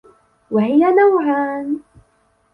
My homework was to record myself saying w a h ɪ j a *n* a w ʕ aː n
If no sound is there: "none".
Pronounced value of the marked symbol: n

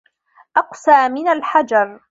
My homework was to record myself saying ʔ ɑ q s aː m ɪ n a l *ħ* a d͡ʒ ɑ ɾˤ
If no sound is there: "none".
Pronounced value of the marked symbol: ħ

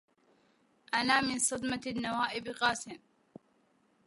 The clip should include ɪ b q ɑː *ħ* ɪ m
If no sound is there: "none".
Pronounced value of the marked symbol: s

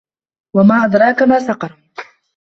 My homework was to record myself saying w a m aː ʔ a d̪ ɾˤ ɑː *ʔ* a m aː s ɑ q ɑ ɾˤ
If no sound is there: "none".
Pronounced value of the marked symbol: k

